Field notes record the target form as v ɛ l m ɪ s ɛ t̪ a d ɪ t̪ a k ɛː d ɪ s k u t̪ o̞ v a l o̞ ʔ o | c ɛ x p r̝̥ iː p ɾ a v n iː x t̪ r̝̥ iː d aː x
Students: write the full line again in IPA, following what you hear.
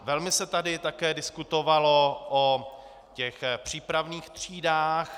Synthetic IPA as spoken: v ɛ l m ɪ s ɛ t̪ a d ɪ t̪ a k ɛː d ɪ s k u t̪ o̞ v a l o̞ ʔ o | c ɛ x p r̝̥ iː p ɾ a v n iː x t̪ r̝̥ iː d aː x